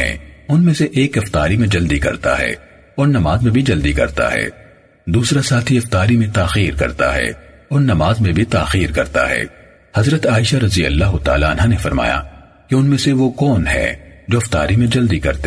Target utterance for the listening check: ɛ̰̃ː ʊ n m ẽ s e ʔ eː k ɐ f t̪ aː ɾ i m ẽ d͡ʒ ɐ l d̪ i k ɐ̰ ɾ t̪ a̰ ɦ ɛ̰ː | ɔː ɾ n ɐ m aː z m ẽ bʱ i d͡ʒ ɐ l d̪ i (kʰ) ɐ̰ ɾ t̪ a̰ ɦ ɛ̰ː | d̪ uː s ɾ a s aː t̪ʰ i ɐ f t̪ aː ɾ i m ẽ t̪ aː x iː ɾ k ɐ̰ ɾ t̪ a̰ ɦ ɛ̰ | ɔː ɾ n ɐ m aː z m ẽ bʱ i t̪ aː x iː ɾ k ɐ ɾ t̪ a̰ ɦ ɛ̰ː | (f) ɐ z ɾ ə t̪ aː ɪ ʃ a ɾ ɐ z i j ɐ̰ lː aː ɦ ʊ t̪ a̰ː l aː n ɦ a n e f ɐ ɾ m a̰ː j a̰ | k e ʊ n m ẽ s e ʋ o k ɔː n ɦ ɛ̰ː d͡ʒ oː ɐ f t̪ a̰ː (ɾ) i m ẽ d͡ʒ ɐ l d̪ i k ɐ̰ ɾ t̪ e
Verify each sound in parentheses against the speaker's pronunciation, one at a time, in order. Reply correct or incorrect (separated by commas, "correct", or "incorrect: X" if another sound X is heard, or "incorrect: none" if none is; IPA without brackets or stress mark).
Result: incorrect: k, incorrect: h, correct